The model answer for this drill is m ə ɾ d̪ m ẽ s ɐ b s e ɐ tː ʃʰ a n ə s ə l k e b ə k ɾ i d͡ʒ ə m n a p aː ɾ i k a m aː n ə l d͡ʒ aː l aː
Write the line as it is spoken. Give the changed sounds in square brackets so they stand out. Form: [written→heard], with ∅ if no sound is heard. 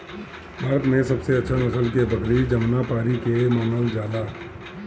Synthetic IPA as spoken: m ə ɾ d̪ m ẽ s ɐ b s e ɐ tː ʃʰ a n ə s ə l k e b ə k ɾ i d͡ʒ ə m n a p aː ɾ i k [a→e] m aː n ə l d͡ʒ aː l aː